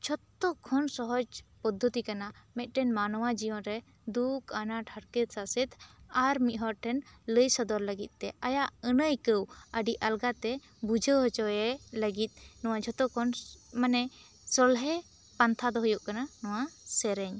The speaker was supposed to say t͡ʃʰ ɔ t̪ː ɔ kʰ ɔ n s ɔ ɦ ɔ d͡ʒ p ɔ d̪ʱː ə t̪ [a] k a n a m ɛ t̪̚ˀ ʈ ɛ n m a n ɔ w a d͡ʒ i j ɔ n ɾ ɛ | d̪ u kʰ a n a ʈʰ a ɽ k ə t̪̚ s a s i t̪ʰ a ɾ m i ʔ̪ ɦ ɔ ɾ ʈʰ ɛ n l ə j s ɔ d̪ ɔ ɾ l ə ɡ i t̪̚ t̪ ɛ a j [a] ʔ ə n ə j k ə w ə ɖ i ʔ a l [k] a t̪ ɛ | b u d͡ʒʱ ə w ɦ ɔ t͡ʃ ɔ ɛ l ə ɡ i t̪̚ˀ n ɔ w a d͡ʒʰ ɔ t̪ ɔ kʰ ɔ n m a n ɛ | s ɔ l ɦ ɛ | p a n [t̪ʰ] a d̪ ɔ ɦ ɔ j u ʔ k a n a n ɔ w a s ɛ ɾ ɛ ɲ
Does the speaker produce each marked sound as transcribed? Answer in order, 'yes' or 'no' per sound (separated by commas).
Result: no, yes, no, yes